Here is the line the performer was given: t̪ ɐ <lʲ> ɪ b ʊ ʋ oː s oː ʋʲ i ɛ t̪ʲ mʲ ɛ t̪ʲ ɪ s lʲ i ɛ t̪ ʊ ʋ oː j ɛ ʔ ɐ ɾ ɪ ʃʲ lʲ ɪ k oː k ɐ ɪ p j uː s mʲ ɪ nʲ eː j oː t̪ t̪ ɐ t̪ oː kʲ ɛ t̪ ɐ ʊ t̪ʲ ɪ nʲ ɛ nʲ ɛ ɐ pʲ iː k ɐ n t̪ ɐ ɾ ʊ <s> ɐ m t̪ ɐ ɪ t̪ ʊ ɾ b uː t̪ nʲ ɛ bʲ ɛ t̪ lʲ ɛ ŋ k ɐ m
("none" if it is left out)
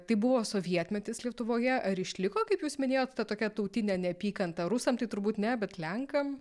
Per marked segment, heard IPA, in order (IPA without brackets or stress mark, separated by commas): none, s